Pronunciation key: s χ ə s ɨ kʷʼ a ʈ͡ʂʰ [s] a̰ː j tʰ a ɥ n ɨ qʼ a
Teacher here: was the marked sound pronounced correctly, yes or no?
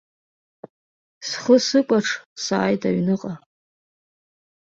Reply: yes